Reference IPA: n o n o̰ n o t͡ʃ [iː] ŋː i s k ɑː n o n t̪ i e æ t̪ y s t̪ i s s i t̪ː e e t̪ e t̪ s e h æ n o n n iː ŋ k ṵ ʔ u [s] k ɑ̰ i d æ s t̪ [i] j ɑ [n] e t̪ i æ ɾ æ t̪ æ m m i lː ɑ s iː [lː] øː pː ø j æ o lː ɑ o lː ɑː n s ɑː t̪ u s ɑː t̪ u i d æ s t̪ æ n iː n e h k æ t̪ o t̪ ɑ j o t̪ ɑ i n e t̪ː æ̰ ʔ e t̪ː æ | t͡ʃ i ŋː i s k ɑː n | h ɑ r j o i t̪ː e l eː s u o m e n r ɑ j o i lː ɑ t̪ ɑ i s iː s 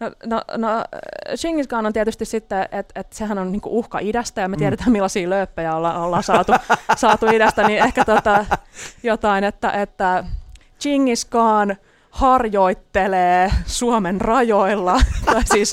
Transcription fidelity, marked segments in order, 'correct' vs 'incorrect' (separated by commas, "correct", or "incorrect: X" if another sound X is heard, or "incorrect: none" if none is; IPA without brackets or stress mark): incorrect: i, incorrect: h, incorrect: æ, incorrect: m, incorrect: l